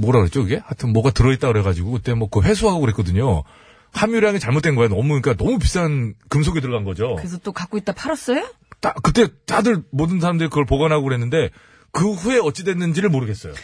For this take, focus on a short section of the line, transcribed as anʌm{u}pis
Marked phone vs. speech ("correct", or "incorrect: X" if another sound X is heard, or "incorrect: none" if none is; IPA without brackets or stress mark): correct